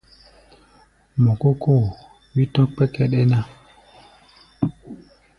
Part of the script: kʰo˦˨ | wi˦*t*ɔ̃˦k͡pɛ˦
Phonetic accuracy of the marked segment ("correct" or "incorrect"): correct